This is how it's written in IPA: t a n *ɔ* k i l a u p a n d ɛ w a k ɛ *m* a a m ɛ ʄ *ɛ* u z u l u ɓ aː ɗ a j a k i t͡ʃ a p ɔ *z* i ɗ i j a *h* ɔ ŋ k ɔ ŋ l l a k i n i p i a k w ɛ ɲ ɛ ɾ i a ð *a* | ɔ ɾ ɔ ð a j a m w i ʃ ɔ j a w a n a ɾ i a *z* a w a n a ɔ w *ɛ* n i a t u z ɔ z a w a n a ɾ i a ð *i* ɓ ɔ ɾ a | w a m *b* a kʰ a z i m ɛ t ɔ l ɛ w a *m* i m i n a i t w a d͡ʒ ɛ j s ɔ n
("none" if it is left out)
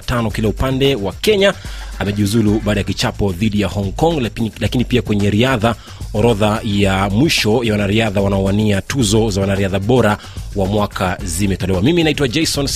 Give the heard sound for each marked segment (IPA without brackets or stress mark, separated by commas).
ɔ, ɲ, i, ð, h, a, ð, a, a, w, m